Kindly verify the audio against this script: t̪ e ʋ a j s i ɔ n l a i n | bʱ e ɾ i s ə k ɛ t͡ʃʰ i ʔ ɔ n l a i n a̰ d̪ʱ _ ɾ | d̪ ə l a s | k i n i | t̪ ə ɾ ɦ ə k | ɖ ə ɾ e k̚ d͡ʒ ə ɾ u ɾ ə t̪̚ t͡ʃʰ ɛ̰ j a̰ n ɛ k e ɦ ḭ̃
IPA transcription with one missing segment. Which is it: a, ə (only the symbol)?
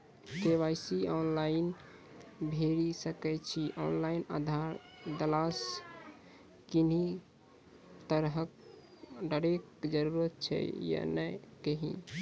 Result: a